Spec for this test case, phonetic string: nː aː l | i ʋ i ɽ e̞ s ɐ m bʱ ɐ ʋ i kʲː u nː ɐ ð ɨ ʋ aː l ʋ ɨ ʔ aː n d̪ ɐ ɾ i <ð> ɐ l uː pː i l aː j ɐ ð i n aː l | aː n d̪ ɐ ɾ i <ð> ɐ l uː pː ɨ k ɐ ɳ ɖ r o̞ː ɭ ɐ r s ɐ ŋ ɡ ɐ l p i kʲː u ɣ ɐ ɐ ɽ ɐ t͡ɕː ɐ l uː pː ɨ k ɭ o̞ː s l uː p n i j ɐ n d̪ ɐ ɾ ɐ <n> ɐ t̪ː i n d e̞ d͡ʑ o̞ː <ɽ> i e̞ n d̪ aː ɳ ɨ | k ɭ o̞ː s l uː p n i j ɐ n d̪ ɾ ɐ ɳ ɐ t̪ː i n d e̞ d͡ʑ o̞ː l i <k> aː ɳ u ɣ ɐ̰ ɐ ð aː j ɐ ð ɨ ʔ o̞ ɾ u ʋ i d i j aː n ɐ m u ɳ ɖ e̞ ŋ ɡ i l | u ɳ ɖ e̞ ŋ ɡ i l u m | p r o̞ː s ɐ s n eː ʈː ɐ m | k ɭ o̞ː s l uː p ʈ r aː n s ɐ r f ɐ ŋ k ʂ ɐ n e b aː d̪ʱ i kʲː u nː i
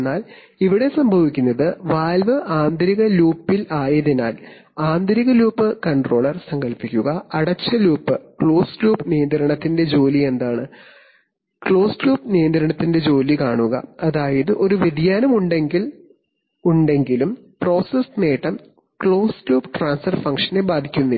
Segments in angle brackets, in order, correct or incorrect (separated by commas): incorrect, incorrect, incorrect, incorrect, correct